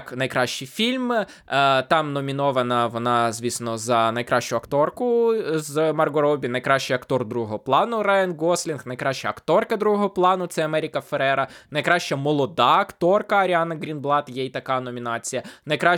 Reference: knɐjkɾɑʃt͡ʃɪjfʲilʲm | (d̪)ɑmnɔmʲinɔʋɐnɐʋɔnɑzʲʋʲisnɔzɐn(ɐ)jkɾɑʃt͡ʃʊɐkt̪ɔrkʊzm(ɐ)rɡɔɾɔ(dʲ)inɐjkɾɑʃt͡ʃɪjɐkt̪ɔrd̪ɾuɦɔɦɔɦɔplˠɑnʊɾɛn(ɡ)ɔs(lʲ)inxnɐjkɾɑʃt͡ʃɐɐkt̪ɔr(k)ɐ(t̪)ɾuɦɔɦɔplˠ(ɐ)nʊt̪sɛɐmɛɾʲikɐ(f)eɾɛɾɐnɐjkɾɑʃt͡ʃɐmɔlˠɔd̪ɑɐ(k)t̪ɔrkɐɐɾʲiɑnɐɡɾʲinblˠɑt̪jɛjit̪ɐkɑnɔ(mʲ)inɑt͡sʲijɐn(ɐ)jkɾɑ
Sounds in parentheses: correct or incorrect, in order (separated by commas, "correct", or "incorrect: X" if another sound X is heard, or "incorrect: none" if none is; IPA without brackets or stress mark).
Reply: incorrect: t̪, correct, correct, incorrect: bʲ, correct, correct, correct, incorrect: d̪, incorrect: ɑ, correct, correct, correct, correct